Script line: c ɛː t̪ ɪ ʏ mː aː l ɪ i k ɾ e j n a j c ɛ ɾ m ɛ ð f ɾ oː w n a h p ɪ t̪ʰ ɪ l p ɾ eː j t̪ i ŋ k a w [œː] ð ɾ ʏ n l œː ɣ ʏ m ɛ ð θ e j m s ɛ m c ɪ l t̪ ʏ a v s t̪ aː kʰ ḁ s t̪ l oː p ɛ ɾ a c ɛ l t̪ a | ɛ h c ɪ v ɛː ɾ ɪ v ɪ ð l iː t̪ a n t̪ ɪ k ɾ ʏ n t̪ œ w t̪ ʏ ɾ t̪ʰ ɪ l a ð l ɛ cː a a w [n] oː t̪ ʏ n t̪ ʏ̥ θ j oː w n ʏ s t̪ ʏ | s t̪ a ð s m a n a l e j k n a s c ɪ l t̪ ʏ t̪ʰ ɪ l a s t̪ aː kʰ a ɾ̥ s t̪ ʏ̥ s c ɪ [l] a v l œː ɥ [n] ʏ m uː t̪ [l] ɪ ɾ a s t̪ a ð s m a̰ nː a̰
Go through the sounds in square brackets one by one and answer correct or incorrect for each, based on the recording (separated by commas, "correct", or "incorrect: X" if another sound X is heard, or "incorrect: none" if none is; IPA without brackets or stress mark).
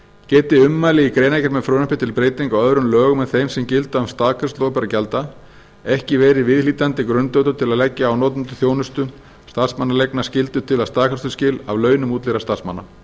incorrect: œ, correct, correct, correct, correct